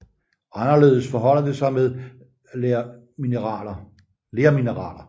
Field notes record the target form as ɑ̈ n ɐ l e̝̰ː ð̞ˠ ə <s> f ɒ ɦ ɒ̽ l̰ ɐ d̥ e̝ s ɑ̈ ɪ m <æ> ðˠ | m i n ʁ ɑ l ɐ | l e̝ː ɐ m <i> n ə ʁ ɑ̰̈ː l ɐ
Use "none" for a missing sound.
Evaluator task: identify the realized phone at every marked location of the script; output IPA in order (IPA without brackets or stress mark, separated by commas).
s, e, i